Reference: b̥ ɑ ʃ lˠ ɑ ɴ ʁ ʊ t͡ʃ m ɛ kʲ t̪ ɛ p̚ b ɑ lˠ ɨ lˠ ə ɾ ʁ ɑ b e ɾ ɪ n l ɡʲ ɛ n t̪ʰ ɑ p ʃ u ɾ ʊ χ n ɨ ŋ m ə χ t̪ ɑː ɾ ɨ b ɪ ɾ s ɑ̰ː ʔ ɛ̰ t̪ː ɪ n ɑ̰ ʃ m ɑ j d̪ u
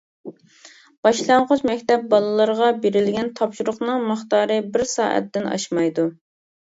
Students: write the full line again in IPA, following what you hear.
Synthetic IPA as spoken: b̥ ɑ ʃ lˠ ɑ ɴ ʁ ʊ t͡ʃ m ɛ kʲ t̪ ɛ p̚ b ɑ lˠ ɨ lˠ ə ɾ ʁ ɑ b e ɾ ɪ l ɡʲ ɛ n t̪ʰ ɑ p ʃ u ɾ ʊ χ n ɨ ŋ m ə χ t̪ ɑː ɾ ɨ b ɪ ɾ s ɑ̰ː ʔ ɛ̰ t̪ː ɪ n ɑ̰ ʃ m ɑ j d̪ u